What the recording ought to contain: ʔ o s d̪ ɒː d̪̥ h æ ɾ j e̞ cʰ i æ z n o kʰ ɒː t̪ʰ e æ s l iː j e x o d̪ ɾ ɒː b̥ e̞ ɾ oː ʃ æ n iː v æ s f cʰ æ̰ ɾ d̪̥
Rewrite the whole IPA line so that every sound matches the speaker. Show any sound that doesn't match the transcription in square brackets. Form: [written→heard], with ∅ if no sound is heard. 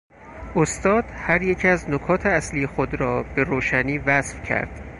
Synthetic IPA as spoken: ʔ o s [d̪→t̪] ɒː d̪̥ h æ ɾ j e̞ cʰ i æ z n o kʰ ɒː t̪ʰ e æ s l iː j e x o d̪ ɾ ɒː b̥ e̞ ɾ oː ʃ æ n iː v æ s f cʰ æ̰ ɾ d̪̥